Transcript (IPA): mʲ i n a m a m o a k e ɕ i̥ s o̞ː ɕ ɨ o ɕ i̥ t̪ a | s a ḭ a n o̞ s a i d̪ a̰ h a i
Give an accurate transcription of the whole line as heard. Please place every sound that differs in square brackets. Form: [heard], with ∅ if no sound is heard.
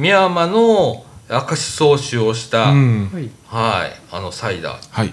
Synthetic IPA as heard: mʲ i [∅] a m a [n] o a k [a] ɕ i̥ s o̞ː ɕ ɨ o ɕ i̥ t̪ a | [h] a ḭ a n o̞ s a i d̪ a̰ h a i